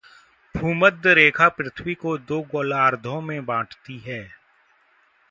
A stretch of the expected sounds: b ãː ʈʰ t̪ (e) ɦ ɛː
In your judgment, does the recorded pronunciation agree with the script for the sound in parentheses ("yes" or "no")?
no